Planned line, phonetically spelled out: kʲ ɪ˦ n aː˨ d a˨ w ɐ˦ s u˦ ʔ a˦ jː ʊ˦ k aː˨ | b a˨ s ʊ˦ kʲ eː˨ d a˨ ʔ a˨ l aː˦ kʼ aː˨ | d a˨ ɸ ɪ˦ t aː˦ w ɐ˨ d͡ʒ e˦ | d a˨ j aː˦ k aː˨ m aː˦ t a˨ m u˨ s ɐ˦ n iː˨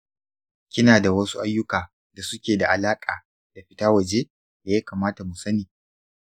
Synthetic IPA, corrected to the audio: kʲ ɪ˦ n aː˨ d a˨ w ɐ˦ s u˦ ʔ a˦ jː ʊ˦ k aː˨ | d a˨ s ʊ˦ kʲ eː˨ d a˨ ʔ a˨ l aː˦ kʼ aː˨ | d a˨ ɸ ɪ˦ t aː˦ w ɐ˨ d͡ʒ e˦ | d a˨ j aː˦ k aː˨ m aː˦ t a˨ m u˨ s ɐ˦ n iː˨